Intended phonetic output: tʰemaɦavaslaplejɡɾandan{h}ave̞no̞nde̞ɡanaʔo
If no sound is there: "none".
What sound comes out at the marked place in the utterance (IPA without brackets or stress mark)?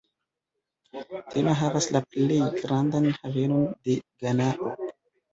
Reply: h